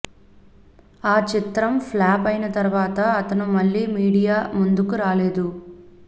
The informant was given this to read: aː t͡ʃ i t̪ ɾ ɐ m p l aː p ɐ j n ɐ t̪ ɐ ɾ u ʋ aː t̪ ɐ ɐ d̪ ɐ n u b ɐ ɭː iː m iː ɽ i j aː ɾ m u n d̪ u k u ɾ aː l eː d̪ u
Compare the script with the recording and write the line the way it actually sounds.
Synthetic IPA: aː t͡ʃ i t̪ ɾ ɐ m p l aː p ɐ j n ɐ t̪ ɐ ɾ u ʋ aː t̪ ɐ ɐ t̪ ɐ n u m ɐ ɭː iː m iː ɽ i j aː m u n d̪ u k u ɾ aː l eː d̪ u